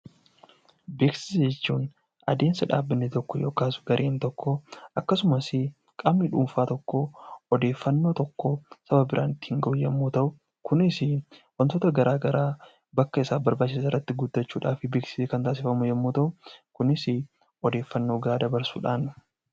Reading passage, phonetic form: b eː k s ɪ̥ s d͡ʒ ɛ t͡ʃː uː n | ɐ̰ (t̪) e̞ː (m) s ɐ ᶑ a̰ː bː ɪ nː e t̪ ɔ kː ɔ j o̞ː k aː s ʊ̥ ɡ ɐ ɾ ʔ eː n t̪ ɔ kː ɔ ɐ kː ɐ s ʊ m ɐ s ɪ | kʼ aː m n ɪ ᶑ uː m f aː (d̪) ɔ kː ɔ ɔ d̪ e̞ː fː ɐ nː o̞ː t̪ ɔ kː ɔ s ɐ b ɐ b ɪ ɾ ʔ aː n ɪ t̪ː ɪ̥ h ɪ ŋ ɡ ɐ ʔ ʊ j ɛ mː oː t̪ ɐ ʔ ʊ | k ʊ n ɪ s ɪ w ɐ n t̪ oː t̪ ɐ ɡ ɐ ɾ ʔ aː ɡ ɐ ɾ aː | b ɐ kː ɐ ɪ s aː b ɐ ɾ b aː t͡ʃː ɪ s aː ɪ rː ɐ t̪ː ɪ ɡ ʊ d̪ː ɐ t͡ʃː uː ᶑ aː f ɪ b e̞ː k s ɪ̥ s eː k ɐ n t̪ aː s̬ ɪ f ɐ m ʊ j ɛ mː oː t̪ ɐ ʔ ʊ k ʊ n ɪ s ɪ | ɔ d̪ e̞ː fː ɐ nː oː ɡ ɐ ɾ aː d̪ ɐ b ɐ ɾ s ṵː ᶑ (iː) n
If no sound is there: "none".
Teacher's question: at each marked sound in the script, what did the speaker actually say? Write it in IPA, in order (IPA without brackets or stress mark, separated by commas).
d̪, n, t̪, aː